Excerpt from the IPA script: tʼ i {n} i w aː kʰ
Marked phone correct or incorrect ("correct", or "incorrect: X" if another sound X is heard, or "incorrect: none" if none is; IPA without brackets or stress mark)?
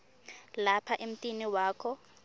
correct